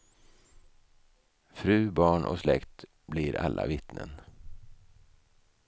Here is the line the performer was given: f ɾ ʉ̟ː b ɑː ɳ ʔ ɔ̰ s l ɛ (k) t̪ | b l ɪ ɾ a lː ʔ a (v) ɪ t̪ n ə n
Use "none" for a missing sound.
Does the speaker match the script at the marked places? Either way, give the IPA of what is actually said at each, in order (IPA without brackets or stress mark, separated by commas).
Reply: k, v